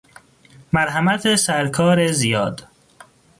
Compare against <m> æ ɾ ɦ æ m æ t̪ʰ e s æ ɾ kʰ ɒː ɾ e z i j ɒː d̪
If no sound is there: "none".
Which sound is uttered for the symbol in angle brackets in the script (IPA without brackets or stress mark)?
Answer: m